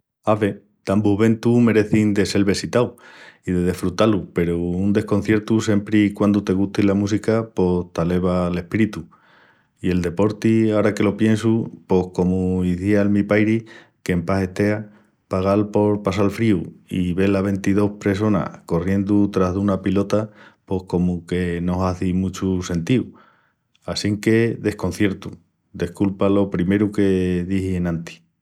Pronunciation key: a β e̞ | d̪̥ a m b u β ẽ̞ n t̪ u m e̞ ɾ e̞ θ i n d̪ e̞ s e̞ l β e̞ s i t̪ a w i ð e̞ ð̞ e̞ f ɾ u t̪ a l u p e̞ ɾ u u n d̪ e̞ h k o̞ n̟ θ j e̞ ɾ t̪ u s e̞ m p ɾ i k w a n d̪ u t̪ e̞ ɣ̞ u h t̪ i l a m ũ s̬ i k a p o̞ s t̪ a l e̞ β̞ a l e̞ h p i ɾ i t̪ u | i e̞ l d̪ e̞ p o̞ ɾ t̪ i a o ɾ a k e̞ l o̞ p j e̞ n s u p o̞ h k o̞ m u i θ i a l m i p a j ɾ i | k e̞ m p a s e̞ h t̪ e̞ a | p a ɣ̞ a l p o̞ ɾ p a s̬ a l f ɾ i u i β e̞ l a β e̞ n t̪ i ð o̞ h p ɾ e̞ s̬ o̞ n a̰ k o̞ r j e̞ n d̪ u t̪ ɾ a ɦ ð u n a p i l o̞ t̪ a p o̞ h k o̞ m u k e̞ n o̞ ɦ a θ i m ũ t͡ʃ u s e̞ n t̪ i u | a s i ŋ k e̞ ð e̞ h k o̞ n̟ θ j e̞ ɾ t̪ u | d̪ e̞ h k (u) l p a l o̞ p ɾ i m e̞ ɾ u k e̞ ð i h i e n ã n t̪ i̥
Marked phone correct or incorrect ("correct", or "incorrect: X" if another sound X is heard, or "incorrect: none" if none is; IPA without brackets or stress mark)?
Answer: correct